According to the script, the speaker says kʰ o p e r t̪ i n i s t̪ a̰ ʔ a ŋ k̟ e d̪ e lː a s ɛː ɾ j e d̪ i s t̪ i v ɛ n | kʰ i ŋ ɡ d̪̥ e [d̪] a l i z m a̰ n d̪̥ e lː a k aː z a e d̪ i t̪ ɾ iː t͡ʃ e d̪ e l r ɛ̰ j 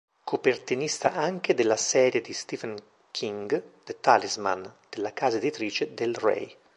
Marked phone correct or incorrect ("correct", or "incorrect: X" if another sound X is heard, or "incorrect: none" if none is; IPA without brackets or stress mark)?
incorrect: t̪